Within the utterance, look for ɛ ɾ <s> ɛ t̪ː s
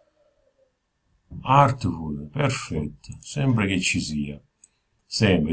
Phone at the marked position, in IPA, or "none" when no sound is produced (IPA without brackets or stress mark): f